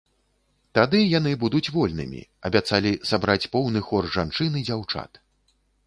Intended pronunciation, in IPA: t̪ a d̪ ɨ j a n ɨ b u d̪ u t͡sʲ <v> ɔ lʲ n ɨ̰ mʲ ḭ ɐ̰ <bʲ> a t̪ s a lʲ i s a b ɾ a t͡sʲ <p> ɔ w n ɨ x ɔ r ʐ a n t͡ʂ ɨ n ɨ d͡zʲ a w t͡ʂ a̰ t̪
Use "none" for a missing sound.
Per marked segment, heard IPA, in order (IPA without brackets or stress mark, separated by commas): v, bʲ, p